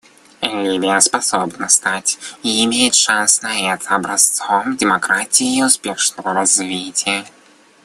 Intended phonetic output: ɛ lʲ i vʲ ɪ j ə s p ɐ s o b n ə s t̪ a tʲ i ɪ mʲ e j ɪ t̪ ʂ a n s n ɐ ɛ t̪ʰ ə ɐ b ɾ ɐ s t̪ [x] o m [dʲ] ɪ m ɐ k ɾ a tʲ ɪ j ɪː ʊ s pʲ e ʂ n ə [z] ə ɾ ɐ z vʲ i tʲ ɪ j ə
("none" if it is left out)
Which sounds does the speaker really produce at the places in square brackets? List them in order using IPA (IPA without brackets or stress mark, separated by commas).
s, dʲ, v